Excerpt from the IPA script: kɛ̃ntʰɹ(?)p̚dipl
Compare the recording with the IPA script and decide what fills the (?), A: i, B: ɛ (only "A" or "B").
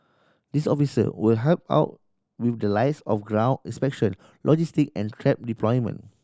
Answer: B